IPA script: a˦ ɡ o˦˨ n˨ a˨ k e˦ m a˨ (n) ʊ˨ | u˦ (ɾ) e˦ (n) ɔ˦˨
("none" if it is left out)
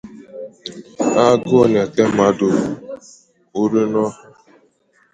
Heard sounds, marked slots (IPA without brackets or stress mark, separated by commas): d, ɾ, n